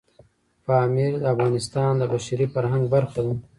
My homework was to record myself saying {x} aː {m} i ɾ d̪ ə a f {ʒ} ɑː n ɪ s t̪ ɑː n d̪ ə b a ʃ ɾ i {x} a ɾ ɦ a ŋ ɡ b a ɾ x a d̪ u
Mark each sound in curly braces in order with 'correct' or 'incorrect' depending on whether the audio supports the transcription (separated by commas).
incorrect, correct, incorrect, incorrect